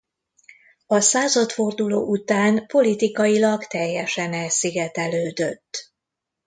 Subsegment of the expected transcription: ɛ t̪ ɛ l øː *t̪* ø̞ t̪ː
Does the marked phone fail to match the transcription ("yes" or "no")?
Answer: yes